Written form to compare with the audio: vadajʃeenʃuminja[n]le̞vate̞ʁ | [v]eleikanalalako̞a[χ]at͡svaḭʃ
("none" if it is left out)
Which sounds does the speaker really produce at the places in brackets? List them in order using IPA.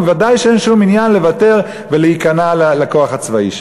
n, v, χ

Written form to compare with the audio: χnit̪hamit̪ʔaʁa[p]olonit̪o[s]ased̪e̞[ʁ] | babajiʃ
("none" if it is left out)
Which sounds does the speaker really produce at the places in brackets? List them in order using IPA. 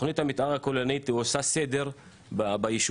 k, s, ʁ

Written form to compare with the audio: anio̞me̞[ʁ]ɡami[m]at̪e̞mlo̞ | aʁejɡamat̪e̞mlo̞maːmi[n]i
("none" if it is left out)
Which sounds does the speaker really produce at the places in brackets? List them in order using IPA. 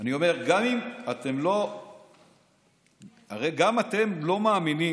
ʁ, m, n

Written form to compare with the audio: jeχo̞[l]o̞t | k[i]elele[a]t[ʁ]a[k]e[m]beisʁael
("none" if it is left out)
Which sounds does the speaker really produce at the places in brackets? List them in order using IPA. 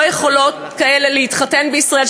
l, a, i, χ, t, n

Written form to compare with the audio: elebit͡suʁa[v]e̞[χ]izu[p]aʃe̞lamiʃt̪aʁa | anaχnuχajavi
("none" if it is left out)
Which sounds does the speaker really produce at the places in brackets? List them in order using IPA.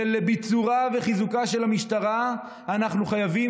v, χ, k

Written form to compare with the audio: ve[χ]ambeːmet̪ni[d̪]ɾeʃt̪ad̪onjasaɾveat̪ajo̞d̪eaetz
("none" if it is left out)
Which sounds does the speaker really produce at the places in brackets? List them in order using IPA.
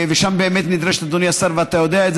ʃ, d̪

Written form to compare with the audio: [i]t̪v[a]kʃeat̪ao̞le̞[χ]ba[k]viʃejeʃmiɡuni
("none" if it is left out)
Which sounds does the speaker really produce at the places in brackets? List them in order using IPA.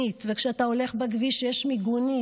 i, e, χ, ɡ

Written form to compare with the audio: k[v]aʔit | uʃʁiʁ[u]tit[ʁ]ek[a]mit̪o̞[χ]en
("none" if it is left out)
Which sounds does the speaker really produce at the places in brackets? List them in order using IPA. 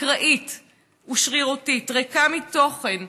ʁ, o, ʁ, a, χ

